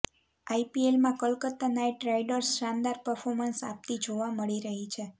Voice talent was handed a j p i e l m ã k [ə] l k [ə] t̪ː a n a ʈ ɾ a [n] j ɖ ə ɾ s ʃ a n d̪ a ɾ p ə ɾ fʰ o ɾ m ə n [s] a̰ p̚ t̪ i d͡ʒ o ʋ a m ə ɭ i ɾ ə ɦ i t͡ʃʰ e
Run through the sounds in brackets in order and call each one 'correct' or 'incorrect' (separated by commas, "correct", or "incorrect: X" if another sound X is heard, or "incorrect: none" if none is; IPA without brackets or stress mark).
correct, correct, incorrect: none, correct